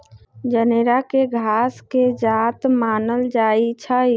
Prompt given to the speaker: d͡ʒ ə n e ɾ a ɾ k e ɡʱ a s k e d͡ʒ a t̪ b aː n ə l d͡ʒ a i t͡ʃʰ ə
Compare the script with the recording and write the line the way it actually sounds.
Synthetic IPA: d͡ʒ ə n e ɾ a k e ɡʱ a s k e d͡ʒ a t̪ m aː n ə l d͡ʒ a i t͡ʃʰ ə